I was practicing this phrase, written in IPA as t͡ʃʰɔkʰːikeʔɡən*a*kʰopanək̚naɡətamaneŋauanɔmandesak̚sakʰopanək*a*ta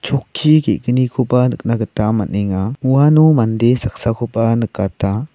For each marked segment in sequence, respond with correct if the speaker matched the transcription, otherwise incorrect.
incorrect: i, correct

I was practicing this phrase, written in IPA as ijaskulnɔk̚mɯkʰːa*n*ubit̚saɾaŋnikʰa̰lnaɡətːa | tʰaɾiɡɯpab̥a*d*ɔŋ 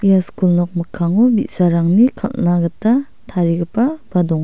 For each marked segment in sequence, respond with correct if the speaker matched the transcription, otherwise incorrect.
incorrect: ŋ, correct

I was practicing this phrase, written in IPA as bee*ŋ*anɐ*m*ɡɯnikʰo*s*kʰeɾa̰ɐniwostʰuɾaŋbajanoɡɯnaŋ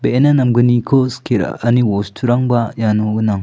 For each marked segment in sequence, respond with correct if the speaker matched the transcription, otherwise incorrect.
incorrect: n, correct, correct

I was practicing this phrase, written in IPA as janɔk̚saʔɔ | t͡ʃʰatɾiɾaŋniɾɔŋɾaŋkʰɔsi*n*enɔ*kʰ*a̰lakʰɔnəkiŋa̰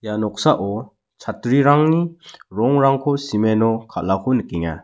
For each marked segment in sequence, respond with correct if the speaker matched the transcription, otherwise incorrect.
incorrect: m, correct

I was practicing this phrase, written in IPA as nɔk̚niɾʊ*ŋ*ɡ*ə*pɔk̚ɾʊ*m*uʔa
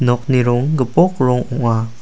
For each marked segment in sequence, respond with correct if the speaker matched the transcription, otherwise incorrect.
correct, correct, incorrect: ŋ

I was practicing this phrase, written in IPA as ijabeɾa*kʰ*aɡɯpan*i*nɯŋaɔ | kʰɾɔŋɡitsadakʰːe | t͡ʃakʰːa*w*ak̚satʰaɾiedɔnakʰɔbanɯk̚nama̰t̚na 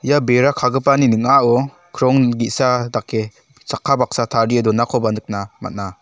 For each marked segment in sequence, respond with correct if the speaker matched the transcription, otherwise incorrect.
correct, correct, incorrect: b

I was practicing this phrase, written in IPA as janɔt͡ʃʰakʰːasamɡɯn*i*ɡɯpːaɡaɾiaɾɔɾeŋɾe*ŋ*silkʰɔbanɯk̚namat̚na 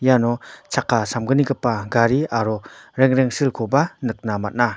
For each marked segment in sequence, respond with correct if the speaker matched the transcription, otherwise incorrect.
correct, correct

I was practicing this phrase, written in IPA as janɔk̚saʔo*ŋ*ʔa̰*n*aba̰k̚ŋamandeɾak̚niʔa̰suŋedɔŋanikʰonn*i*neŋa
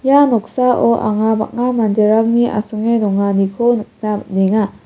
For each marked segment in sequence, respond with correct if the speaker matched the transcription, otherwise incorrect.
incorrect: none, incorrect: ŋ, incorrect: a

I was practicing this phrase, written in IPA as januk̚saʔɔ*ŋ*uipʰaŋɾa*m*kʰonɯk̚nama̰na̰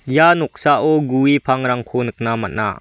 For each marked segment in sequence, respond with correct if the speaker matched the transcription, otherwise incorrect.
incorrect: ɡ, incorrect: ŋ

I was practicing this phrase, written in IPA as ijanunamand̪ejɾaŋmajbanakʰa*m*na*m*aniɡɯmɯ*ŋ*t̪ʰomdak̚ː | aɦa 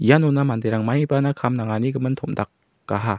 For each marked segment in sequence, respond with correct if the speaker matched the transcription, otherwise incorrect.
correct, incorrect: ŋ, incorrect: n

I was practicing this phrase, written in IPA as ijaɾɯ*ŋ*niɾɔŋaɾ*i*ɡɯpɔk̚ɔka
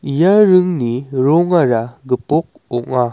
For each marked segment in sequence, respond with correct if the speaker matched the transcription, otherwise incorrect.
correct, incorrect: a

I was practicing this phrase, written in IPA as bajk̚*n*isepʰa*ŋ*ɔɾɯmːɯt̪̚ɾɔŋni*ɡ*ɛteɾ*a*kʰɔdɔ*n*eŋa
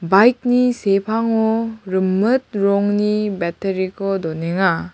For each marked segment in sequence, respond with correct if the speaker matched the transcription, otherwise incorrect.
correct, correct, incorrect: b, incorrect: i, correct

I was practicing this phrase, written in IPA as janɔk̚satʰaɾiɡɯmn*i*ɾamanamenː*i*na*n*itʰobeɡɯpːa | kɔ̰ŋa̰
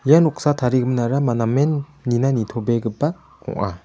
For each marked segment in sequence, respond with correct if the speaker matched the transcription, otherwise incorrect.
incorrect: a, correct, correct

